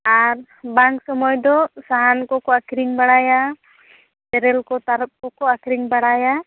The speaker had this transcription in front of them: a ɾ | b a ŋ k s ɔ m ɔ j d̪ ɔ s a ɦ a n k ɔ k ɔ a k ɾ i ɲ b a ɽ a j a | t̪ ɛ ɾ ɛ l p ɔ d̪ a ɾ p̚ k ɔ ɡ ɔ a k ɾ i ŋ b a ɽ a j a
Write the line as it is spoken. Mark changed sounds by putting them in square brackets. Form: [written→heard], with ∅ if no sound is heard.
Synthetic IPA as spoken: a ɾ | b a ŋ k s ɔ m ɔ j d̪ ɔ s a ɦ a n k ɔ k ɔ a k ɾ i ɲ b a ɽ a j a | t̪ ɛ ɾ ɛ l [p→k] ɔ [d̪→t̪] a ɾ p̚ k ɔ [ɡ→k] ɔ a k ɾ i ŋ b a ɽ a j a